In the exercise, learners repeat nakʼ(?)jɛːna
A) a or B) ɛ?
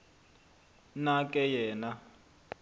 B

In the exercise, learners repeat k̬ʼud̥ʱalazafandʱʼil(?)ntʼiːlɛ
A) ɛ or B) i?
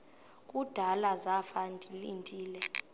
B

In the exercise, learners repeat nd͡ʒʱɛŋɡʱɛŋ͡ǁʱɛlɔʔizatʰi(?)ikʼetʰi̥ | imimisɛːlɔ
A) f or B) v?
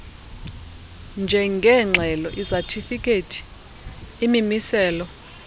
A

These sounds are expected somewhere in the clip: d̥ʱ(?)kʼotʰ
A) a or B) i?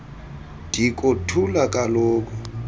B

